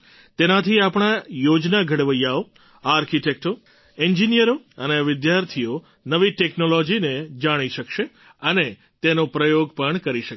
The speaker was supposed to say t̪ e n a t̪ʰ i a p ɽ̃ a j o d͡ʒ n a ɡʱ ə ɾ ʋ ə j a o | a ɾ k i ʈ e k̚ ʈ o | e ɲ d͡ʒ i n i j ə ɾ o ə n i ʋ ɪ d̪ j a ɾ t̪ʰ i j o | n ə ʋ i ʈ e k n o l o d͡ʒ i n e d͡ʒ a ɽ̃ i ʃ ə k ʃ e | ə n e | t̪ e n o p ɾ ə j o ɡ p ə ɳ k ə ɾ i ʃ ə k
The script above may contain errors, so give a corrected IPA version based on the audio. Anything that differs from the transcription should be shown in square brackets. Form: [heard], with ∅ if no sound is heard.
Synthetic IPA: t̪ e n a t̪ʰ i a p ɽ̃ a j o d͡ʒ n a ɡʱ ə [ɽ] ʋ ə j a o | a ɾ k i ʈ e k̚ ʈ o | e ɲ d͡ʒ i n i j ə ɾ o ə n [e] ʋ ɪ d̪ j a ɾ t̪ʰ i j o | n ə ʋ i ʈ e k n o l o d͡ʒ i n e d͡ʒ a ɽ̃ i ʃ ə k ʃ e | ə n e | t̪ e n o p ɾ ə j o ɡ p ə ɳ k ə ɾ i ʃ ə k